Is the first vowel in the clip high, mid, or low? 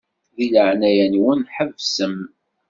high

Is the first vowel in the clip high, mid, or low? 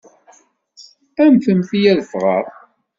low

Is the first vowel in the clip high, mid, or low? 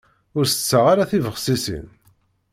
high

